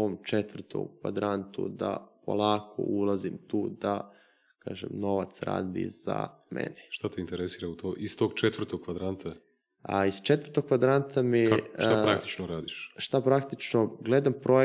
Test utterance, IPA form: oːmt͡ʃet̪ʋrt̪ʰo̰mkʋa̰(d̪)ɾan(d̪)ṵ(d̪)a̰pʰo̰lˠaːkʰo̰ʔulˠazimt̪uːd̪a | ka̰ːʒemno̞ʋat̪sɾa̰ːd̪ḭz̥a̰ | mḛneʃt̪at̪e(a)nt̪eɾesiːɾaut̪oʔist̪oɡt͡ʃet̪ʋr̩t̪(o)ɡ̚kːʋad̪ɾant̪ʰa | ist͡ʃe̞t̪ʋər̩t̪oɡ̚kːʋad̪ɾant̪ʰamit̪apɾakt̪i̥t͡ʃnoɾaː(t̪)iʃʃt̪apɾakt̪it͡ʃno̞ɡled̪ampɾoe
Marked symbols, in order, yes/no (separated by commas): yes, no, yes, no, yes, no